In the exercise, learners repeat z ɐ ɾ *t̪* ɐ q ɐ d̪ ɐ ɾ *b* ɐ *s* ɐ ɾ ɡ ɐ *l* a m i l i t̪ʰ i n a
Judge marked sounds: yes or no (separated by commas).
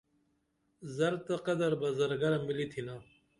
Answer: yes, yes, no, no